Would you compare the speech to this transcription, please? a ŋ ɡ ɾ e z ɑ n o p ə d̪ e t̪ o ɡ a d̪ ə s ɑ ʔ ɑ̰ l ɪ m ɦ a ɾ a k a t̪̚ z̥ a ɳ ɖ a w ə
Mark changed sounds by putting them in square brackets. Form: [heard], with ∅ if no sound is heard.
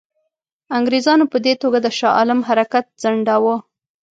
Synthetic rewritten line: a ŋ ɡ ɾ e z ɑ n o p ə d̪ e t̪ o ɡ a d̪ ə [ʃ] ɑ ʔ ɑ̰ l ɪ m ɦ a ɾ a k a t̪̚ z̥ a ɳ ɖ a w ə